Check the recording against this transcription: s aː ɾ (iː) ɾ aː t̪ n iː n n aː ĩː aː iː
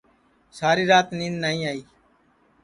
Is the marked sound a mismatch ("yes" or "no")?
no